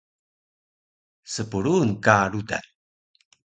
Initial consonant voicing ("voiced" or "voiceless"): voiceless